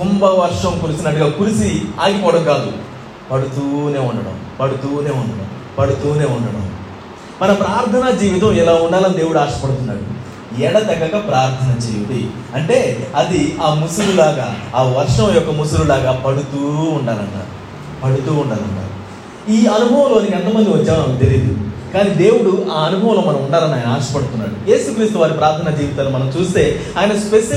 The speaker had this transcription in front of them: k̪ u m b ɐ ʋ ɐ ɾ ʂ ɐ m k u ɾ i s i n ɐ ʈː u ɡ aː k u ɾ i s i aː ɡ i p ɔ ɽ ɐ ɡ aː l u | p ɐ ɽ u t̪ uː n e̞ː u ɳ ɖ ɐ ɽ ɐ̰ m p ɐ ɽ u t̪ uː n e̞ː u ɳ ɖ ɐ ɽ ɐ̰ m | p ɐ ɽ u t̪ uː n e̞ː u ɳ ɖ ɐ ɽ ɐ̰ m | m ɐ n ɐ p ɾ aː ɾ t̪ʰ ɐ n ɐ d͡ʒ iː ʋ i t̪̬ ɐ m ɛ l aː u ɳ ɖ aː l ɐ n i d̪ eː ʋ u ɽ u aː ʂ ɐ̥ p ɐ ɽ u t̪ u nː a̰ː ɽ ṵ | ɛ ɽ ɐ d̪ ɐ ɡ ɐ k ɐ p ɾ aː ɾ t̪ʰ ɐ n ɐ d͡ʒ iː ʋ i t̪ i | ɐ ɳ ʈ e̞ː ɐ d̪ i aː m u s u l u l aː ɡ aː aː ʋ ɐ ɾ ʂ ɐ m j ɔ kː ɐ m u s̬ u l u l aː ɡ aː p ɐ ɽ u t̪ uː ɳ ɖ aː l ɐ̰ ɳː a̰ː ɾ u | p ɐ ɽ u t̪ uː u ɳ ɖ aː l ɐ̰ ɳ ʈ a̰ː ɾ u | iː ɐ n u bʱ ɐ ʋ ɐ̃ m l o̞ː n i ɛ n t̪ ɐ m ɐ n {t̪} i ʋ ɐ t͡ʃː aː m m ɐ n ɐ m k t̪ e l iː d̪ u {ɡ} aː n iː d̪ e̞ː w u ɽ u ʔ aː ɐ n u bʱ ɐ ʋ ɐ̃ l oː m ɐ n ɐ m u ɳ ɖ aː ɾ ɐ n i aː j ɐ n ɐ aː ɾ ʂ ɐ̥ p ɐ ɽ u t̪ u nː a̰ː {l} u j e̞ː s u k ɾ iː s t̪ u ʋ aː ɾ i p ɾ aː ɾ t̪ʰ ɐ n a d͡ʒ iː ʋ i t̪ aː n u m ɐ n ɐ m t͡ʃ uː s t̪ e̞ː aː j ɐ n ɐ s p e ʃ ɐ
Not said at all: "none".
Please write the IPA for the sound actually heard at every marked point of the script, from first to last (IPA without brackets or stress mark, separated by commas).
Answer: d̪, k, ɽ